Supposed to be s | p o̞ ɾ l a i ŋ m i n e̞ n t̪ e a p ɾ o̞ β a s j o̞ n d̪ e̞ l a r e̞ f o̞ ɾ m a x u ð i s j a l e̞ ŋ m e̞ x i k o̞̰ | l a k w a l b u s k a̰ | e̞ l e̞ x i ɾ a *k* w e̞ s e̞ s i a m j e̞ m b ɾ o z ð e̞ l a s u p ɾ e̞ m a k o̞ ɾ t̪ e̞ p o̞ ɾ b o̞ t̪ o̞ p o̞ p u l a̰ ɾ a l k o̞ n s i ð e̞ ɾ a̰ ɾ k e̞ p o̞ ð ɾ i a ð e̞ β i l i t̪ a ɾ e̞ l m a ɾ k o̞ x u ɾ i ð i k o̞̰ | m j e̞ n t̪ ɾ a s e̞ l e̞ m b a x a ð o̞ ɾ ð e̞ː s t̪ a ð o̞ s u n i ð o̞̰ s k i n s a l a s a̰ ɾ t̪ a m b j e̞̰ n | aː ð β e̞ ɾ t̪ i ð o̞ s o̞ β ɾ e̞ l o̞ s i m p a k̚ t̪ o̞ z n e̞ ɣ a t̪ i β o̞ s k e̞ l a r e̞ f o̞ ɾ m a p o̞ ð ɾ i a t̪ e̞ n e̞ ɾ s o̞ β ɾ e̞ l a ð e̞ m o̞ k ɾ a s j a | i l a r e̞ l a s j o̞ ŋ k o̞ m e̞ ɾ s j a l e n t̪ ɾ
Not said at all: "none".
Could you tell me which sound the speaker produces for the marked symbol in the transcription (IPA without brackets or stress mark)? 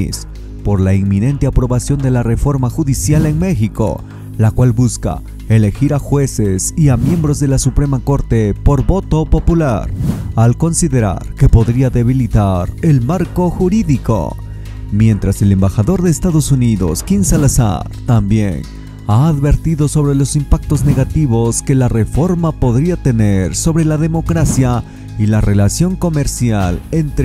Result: x